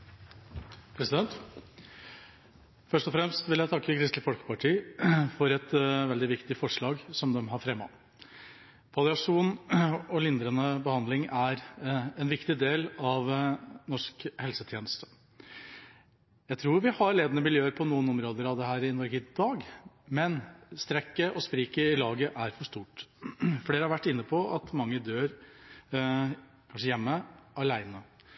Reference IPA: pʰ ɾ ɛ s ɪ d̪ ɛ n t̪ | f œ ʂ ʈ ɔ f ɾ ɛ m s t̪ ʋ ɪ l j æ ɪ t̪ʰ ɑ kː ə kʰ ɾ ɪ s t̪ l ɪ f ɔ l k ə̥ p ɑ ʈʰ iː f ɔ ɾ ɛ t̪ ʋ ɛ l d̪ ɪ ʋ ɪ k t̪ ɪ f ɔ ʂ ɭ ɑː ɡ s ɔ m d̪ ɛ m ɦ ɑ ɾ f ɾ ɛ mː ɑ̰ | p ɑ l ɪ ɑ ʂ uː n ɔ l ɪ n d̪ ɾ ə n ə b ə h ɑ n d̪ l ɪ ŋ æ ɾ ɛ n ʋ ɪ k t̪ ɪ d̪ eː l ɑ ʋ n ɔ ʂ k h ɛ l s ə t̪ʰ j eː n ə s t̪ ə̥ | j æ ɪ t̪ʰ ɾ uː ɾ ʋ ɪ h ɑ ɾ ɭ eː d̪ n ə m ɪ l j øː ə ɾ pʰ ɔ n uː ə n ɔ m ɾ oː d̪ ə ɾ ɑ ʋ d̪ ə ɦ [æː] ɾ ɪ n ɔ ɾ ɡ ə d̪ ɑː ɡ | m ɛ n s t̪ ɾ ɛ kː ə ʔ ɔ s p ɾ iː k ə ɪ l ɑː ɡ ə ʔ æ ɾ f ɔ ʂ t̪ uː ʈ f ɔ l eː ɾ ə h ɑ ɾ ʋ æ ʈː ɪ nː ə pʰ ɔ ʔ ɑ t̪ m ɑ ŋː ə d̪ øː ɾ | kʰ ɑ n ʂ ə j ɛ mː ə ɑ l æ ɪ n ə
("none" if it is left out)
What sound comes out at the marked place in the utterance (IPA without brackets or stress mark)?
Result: æː